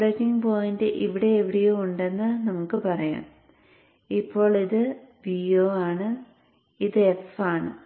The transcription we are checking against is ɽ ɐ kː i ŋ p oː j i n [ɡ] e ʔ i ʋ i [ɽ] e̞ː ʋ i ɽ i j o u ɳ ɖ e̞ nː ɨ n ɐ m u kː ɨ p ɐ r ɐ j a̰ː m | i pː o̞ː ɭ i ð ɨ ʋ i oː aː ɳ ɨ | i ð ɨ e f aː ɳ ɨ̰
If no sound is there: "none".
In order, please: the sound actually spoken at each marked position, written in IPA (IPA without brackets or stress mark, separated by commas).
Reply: d, ɽ